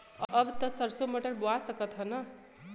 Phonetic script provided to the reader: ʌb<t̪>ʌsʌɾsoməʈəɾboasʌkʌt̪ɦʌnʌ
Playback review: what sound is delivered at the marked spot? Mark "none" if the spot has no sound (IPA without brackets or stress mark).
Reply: t̪